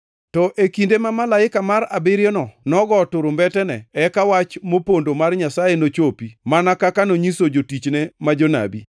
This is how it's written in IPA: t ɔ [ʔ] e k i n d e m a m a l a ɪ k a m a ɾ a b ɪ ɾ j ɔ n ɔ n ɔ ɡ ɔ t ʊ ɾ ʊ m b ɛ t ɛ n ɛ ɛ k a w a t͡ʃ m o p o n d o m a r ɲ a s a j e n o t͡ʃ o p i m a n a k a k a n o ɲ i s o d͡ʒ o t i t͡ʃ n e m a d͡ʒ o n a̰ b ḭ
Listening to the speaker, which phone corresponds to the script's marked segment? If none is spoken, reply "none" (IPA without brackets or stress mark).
ʔ